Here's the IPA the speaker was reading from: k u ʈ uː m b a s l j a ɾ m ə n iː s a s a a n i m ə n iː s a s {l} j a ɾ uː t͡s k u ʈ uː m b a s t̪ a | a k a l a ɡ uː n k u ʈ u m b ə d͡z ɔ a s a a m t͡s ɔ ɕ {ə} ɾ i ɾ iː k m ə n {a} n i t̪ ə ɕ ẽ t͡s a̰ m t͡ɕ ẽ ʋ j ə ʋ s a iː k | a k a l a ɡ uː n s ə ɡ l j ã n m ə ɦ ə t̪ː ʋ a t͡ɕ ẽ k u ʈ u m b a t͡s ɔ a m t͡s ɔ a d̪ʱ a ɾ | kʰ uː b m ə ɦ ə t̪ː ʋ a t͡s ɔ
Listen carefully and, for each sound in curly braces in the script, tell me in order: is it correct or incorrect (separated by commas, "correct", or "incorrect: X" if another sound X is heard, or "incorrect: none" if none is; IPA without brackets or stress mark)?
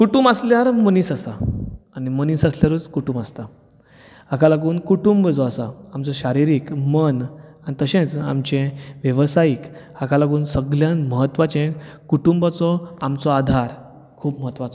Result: correct, incorrect: a, correct